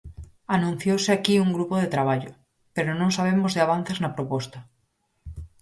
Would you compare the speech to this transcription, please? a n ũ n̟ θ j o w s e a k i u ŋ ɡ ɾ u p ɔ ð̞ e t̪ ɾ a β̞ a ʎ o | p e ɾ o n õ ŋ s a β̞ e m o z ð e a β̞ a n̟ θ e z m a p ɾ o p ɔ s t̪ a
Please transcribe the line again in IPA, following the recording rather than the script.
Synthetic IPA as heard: a n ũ n̟ θ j o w s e a k i u ŋ ɡ ɾ u p o ð̞ e t̪ ɾ a β̞ a ʎ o | p e ɾ o n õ ŋ s a β̞ e m o z ð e a β̞ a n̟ θ e z n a p ɾ o p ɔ s t̪ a